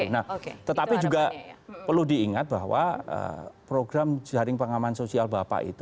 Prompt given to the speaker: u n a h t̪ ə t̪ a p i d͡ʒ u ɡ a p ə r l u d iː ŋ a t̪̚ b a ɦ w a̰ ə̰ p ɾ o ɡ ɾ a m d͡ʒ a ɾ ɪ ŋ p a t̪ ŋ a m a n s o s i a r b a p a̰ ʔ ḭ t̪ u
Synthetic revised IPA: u n a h t̪ ə t̪ a p i d͡ʒ u ɡ a p ə r l u d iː ŋ a t̪̚ b a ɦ w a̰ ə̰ p ɾ o ɡ ɾ a m d͡ʒ a ɾ ɪ ŋ p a ŋ a m a n s o s i a l b a p a̰ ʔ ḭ t̪ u